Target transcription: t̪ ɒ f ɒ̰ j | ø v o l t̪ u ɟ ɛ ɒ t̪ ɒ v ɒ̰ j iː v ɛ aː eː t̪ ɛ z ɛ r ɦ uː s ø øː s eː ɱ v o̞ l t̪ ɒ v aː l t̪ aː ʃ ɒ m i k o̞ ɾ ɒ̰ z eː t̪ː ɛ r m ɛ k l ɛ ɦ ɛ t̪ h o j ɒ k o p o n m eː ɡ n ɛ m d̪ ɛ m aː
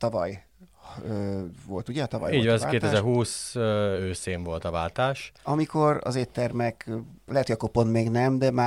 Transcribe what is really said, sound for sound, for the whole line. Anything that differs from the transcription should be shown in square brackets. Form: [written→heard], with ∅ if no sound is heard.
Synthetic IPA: t̪ ɒ [f→v] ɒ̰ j | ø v o l t̪ u ɟ ɛ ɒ t̪ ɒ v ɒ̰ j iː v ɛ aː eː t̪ ɛ z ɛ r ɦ uː s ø øː s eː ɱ v o̞ l t̪ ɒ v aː l t̪ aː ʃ ɒ m i k o̞ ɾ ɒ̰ z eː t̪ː ɛ r m ɛ k l ɛ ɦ ɛ t̪ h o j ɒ k o p o n m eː ɡ n ɛ m d̪ ɛ m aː